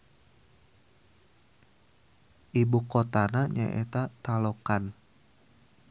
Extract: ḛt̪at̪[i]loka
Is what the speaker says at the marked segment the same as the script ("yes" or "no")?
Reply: no